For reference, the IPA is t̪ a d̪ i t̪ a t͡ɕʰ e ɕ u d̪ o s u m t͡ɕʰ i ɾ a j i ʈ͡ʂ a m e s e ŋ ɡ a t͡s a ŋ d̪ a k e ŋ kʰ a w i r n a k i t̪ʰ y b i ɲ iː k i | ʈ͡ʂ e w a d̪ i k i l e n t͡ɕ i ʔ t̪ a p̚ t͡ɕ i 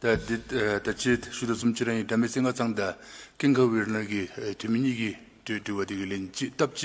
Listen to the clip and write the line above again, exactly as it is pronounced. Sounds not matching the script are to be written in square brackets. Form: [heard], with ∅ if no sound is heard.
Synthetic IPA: t̪ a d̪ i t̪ a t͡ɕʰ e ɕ u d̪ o s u m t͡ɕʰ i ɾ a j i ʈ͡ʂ a m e s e ŋ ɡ a t͡s a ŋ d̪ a k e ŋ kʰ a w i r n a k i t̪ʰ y [m] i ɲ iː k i | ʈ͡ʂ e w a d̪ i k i l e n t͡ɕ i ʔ t̪ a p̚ t͡ɕ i